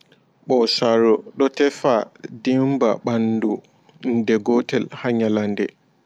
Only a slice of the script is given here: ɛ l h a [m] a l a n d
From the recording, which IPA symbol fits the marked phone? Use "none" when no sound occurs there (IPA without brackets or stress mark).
ɲ